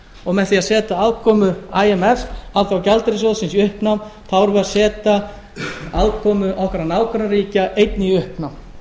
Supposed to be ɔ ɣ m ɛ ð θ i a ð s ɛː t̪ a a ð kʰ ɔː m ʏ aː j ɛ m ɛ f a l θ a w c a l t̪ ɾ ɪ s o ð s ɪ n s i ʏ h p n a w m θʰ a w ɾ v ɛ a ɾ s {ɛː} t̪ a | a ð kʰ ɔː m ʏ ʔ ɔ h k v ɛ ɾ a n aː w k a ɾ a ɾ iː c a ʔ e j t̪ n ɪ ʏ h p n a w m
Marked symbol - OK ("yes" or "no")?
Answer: yes